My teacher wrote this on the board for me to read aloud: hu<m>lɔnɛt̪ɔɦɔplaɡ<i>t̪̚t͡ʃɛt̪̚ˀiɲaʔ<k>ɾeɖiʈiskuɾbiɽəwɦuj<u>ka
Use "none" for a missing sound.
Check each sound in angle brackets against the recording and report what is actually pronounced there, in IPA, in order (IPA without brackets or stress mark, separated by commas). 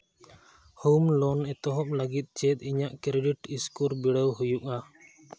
m, i, k, u